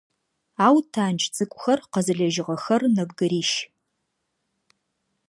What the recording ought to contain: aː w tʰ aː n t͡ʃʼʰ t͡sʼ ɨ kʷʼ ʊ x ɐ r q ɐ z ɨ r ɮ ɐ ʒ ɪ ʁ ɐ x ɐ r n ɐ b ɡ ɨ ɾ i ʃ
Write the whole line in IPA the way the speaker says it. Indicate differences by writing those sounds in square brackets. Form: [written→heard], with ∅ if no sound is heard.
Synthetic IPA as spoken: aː w tʰ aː n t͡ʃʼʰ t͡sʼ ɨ kʷʼ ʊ x ɐ r q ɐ z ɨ [r→∅] ɮ ɐ ʒ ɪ ʁ ɐ x ɐ r n ɐ b ɡ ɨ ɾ [i→iː] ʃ